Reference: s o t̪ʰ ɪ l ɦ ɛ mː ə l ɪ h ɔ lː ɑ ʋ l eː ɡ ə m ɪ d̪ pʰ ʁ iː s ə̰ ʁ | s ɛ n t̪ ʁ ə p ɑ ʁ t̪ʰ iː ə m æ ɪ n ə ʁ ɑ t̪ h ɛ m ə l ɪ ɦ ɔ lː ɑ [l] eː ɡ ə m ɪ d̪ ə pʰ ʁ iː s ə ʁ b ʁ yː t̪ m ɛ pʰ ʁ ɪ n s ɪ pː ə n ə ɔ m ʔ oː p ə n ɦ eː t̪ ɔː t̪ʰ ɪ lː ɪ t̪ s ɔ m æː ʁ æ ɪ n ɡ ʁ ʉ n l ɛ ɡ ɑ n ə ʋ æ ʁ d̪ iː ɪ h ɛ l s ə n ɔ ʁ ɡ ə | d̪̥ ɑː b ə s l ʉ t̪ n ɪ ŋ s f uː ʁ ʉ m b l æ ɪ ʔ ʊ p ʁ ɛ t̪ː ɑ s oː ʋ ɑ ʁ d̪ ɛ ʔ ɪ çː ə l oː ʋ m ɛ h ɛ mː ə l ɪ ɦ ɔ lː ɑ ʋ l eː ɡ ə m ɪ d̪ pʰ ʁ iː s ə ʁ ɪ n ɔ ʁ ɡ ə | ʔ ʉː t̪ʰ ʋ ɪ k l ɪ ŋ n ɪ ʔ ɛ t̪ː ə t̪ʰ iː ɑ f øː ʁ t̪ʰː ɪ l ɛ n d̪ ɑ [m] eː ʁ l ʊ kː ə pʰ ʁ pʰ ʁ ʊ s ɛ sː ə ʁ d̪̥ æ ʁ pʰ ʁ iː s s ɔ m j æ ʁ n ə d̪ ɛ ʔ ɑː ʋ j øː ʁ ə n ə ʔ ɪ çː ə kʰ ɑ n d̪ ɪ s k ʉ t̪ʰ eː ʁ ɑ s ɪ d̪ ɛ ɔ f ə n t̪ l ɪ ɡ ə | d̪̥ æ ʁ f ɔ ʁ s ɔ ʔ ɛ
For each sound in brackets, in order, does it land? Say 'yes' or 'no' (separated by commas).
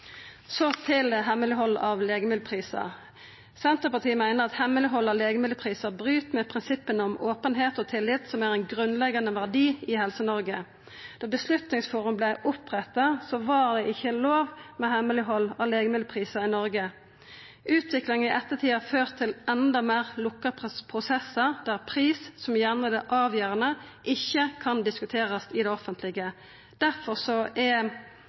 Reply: yes, yes